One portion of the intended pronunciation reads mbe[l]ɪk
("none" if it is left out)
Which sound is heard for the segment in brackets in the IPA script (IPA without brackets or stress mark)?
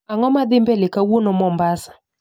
l